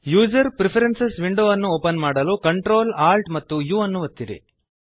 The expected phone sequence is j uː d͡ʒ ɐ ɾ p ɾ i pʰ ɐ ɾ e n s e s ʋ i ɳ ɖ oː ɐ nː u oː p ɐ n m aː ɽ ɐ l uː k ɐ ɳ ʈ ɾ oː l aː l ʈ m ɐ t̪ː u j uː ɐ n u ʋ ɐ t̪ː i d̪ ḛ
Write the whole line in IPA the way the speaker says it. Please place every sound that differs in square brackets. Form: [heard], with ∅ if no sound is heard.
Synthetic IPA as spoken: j uː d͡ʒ ɐ ɾ p ɾ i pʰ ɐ ɾ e n s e s ʋ i ɳ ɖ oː ɐ nː u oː p ɐ n m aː ɽ ɐ l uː k ɐ ɳ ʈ ɾ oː l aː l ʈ m ɐ t̪ː u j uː ɐ [nː] u ʋ ɐ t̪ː i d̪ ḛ